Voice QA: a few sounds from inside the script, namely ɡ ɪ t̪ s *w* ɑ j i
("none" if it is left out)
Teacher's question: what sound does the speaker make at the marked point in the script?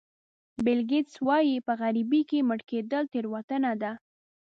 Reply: w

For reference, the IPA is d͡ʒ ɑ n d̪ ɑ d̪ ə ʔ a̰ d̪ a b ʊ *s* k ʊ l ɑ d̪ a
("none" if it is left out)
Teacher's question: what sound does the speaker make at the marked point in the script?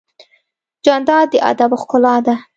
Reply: x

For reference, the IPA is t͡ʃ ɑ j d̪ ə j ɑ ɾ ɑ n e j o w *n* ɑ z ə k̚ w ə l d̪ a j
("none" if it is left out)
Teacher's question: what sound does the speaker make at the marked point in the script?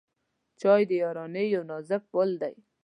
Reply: n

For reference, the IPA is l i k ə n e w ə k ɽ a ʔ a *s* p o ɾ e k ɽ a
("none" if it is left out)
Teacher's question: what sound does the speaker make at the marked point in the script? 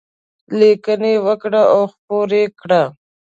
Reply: x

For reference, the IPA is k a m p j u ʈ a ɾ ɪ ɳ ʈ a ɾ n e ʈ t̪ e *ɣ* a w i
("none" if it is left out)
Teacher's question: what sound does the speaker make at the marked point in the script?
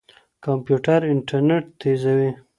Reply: z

